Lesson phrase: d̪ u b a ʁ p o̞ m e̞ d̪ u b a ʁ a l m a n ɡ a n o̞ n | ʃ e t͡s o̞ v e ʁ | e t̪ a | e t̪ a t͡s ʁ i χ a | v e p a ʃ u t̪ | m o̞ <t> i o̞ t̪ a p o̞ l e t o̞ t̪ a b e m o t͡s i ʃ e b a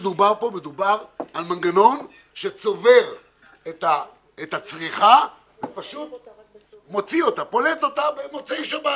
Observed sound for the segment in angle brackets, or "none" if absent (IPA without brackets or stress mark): t͡s